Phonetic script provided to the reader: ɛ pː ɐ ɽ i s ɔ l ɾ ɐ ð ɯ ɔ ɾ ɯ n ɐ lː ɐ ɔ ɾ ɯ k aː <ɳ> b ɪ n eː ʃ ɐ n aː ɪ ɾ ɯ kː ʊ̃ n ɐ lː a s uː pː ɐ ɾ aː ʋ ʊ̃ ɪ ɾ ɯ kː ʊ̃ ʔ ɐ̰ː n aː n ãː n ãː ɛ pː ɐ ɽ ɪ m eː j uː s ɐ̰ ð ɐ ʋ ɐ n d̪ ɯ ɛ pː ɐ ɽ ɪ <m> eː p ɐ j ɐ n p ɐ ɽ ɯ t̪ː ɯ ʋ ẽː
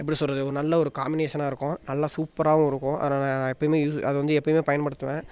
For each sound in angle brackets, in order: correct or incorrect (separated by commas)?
incorrect, correct